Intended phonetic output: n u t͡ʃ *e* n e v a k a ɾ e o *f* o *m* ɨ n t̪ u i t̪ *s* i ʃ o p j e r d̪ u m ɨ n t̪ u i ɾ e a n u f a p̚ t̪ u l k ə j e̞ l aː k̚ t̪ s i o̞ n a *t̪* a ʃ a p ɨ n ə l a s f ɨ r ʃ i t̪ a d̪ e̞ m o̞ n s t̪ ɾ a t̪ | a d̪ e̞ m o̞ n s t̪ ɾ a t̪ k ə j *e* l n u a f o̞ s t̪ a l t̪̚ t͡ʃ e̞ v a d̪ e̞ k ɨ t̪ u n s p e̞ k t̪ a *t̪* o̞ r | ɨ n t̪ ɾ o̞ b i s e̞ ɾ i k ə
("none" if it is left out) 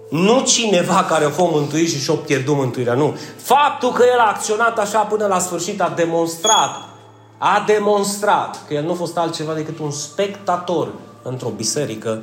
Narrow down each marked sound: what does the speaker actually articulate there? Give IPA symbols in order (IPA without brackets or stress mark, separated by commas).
i, f, m, ʃ, t̪, e, t̪